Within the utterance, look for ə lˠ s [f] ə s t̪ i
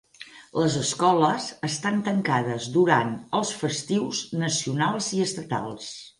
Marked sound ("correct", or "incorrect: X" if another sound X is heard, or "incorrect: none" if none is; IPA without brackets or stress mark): correct